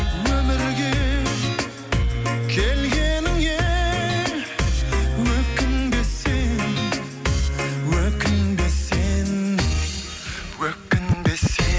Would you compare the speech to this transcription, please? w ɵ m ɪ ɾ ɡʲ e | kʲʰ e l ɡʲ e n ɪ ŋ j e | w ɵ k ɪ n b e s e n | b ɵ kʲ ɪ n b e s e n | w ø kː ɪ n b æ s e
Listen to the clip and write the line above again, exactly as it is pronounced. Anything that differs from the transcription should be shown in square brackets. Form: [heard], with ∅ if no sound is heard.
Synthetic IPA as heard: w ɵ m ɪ ɾ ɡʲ e | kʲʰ e l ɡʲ e n ɪ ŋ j e | w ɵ k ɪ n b e s e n | [w] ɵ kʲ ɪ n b e s e n | w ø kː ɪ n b [e] s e